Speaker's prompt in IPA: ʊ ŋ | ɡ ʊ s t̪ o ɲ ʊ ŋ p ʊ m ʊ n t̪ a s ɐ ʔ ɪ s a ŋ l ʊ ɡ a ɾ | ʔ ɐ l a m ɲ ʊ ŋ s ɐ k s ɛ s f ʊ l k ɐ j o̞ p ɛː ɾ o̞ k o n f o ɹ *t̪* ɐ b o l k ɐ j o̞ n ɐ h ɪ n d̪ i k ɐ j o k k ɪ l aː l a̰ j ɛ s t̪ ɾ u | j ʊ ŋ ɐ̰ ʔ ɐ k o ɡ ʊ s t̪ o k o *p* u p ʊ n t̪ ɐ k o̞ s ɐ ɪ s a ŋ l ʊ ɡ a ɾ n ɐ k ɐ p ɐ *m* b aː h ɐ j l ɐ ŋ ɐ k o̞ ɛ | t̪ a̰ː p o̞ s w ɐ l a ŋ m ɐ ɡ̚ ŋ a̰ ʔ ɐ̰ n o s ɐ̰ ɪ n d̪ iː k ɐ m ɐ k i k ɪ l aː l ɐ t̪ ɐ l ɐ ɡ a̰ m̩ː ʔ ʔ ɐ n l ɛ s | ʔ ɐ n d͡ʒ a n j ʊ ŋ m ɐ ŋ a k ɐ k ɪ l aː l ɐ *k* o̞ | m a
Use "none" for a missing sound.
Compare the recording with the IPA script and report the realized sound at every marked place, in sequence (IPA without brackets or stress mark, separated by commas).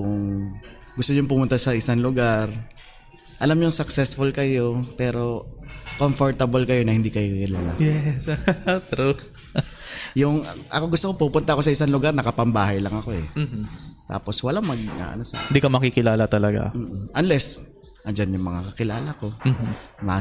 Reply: t̪, p, m, k